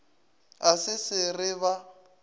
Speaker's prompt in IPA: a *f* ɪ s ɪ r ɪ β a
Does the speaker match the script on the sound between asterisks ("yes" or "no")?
no